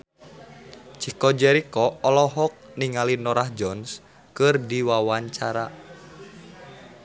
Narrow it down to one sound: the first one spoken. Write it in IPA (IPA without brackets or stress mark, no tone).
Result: t͡ʃ